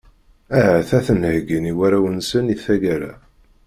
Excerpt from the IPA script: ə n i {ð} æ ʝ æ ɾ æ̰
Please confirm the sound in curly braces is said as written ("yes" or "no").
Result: no